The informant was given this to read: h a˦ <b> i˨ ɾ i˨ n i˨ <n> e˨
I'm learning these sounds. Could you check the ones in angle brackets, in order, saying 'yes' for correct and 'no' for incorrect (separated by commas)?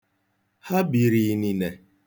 yes, yes